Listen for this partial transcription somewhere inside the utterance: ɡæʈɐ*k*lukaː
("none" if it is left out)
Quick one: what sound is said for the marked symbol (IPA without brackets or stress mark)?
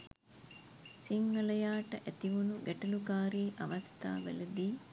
none